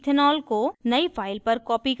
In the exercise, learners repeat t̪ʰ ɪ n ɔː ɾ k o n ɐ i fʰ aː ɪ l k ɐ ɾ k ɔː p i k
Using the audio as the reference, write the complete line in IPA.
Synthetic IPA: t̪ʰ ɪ n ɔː l k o n ɐ i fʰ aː ɪ l p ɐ ɾ k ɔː p i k